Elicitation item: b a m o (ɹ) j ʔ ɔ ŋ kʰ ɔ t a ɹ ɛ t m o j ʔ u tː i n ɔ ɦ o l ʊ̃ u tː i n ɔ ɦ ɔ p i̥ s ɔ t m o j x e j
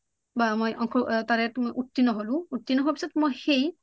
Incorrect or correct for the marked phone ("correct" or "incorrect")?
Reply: incorrect